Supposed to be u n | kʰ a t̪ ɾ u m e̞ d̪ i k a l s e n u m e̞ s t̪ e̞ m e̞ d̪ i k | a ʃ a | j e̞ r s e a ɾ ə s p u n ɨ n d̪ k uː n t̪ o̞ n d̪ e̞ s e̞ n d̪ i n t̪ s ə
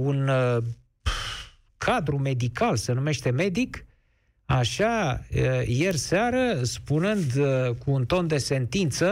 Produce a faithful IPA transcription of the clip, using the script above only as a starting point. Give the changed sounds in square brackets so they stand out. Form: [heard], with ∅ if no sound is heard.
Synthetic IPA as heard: u n | kʰ a [d̪] ɾ u m e̞ d̪ i k a l s e n u m e̞ [ʃ] t̪ e̞ m e̞ d̪ i k | a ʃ a | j e̞ r s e a ɾ ə s p u n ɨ n d̪ k uː n t̪ o̞ n d̪ e̞ s e̞ n [t̪] i n t̪ s ə